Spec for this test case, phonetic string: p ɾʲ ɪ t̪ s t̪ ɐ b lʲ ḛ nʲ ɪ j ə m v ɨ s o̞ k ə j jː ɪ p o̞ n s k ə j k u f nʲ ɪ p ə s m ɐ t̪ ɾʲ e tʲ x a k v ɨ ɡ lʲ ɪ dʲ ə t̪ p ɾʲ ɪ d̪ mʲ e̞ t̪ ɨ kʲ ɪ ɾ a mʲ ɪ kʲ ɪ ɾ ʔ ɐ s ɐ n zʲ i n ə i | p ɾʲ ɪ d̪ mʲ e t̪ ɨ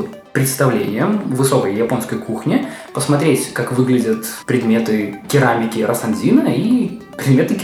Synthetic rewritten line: p ɾʲ ɪ t̪ s t̪ ɐ v lʲ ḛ nʲ ɪ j ə m v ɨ s o̞ k ə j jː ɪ p o̞ n s k ə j k u x nʲ ɪ p ə s m ɐ t̪ ɾʲ e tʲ k a k v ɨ ɡ lʲ ɪ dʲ ə t̪ p ɾʲ ɪ d̪ mʲ e̞ t̪ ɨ kʲ ɪ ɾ a mʲ ɪ kʲ ɪ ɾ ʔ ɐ s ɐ n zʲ i n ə i | p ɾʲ ɪ d̪ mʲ e t̪ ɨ